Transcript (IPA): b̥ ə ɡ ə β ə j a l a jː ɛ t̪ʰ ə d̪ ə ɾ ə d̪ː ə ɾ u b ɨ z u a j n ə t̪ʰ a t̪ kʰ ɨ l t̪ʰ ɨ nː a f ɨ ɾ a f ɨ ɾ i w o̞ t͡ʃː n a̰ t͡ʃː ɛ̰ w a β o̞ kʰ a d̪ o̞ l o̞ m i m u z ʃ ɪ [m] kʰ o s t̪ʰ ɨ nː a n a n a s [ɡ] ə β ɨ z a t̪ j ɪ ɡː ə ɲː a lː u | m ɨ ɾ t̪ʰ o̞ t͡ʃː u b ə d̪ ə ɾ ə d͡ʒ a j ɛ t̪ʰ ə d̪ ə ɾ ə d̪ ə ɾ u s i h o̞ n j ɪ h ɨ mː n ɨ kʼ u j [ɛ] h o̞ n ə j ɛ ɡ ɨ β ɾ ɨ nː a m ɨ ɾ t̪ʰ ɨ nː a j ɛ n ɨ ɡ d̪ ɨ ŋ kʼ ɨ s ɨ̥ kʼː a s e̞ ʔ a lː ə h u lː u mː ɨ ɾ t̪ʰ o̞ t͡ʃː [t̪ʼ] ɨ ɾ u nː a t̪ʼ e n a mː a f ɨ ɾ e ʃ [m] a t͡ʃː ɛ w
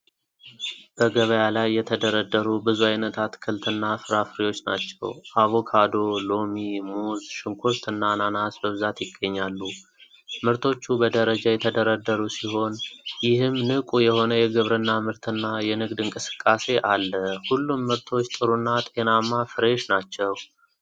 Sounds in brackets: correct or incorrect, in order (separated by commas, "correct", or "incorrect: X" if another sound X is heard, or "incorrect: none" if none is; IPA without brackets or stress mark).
incorrect: ŋ, incorrect: b, correct, correct, incorrect: n